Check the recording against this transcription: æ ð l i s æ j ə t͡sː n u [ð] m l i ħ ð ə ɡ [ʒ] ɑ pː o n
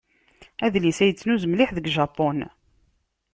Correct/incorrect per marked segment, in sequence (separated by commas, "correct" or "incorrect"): incorrect, correct